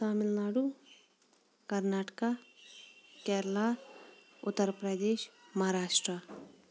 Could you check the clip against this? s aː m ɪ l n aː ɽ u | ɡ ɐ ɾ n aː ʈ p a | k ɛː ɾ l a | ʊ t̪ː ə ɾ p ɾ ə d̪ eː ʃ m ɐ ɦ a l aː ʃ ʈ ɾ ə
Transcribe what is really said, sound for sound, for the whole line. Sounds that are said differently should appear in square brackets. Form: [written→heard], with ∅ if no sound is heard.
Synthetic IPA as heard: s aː m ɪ l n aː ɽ u | [ɡ→k] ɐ ɾ n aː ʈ [p→k] a | k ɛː ɾ l a | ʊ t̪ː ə ɾ p ɾ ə d̪ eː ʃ m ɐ ɦ a [l→ɾ] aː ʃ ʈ ɾ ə